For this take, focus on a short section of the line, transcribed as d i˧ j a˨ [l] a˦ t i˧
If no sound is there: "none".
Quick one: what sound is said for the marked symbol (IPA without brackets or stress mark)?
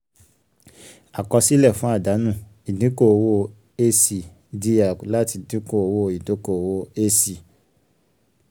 l